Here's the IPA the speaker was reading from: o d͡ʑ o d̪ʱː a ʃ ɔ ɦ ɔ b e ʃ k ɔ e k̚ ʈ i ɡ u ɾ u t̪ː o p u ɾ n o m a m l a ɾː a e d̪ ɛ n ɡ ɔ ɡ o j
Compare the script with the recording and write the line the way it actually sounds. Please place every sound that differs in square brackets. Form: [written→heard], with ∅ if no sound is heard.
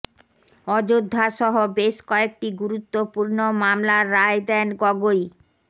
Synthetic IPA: [o→ɔ] d͡ʑ o d̪ʱː a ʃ ɔ ɦ [ɔ→o] b e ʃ k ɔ e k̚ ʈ i ɡ u ɾ u t̪ː o p u ɾ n o m a m l a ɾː a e d̪ ɛ n ɡ ɔ ɡ o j